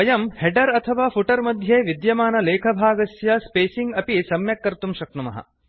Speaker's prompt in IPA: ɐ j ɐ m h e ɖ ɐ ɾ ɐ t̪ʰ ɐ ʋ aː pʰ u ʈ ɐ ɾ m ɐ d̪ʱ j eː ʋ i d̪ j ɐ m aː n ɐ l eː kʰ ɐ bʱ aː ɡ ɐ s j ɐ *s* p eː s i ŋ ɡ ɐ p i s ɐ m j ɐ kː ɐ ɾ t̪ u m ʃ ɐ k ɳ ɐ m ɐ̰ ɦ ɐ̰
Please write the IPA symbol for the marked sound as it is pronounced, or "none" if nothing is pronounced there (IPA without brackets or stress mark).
s